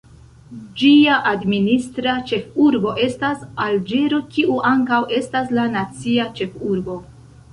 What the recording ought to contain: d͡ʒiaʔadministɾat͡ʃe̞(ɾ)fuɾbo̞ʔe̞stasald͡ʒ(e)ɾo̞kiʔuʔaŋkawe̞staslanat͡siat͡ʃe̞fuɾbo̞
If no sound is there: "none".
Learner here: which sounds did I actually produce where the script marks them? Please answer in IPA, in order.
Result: none, e

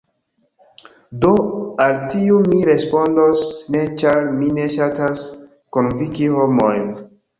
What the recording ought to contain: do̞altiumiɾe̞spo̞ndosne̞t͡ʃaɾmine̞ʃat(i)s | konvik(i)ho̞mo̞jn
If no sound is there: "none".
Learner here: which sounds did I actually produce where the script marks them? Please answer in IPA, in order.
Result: a, i

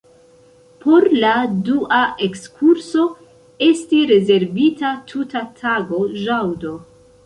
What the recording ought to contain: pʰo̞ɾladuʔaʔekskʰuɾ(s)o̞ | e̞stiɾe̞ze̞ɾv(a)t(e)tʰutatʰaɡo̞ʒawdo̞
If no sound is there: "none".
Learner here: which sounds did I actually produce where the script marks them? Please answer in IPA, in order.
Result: s, i, a

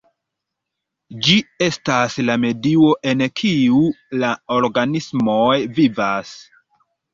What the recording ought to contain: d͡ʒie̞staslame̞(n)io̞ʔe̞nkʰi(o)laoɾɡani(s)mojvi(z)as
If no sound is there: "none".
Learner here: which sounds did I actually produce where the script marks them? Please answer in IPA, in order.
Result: d, u, s, v

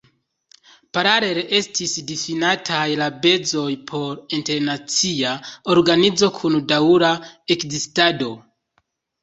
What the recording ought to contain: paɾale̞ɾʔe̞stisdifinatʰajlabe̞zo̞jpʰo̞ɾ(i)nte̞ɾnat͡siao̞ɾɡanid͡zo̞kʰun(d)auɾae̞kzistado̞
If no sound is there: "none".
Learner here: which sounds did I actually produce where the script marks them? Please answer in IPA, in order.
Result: i, d

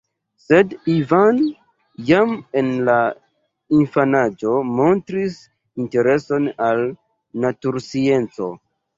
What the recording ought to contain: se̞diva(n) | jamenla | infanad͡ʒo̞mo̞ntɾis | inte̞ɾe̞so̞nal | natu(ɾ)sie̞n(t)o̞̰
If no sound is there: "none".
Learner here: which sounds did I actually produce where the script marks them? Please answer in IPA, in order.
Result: n, ɾ, t͡s

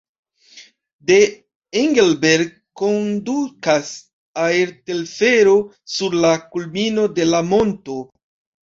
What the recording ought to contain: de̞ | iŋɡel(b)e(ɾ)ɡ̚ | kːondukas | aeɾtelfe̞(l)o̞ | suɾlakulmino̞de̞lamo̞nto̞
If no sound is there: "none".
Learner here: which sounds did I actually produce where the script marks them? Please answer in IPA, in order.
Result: b, ɾ, ɾ

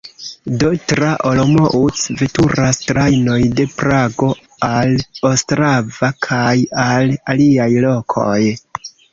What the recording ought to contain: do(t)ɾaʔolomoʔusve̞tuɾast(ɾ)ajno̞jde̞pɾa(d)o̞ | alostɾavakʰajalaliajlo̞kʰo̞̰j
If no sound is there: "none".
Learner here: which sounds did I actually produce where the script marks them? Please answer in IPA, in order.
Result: t, ɾ, ɡ

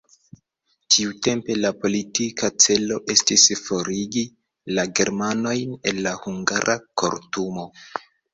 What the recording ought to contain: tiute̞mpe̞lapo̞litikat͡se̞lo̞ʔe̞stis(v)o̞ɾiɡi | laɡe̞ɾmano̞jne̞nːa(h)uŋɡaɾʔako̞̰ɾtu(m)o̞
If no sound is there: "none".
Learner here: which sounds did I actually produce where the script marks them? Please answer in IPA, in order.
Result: f, h, m

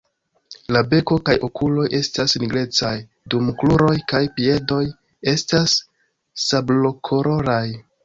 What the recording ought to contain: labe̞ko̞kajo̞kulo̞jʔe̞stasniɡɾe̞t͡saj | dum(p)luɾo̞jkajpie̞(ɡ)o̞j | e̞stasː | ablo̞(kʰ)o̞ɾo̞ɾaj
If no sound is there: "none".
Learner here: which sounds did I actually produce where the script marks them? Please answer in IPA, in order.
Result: k, d, kʰ

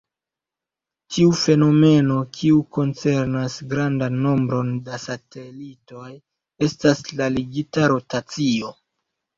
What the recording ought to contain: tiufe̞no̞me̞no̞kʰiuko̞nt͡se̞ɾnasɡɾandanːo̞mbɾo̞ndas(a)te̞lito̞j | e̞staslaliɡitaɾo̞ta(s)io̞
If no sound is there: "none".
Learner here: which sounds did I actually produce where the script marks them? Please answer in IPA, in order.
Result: a, t͡s

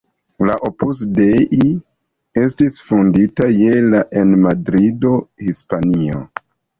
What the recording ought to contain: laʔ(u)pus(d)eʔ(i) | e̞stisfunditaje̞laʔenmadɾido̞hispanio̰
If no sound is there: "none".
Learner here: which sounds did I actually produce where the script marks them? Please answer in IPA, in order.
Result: o, d, i

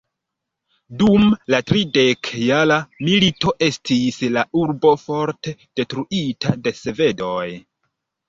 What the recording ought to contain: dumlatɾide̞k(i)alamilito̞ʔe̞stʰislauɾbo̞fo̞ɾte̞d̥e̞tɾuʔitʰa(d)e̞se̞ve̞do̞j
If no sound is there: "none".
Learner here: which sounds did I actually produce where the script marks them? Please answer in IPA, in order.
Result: j, d

